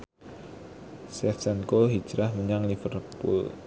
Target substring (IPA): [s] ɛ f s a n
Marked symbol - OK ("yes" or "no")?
yes